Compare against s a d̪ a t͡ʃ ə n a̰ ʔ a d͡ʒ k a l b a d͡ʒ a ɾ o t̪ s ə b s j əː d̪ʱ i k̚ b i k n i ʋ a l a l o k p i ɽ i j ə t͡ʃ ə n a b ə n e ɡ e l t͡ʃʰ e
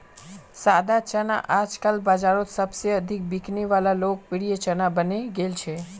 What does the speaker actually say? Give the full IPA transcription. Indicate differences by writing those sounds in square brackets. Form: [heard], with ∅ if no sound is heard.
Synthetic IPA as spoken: s a d̪ a t͡ʃ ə n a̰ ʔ a d͡ʒ k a l b a d͡ʒ a ɾ o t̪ s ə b s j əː d̪ʱ i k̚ b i k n i ʋ a l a l o k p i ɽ i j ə t͡ʃ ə n a b ə n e ɡ e l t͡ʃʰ e